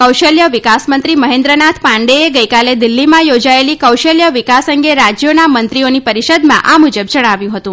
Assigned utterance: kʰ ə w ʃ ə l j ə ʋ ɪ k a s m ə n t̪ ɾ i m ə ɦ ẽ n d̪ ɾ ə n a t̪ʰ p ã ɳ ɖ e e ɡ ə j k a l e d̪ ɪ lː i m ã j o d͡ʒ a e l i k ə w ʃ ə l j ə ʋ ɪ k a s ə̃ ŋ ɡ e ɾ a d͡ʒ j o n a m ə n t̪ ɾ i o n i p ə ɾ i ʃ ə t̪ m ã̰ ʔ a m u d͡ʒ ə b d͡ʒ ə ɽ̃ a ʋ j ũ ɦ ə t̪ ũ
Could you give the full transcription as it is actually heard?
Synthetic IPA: k ə w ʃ ə l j ə ʋ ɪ k a s m ə n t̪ ɾ i m ə ɦ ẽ n d̪ ɾ ə n a t̪ʰ p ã ɳ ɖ e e ɡ ə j k a l e d̪ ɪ lː i m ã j o d͡ʒ a e l i k ə w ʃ ə l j ə ʋ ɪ k a s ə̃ ŋ ɡ e ɾ a d͡ʒ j o n a m ə n t̪ ɾ i o n i p ə ɾ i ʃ ə d̪ m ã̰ ʔ a m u d͡ʒ ə b d͡ʒ ə ɽ̃ a ʋ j ũ ɦ ə t̪ ũ